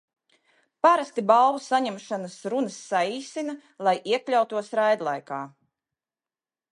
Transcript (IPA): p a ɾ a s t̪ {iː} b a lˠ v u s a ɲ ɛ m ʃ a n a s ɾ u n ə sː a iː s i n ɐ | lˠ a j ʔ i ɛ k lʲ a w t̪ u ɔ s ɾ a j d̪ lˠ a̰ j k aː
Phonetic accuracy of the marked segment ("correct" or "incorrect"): incorrect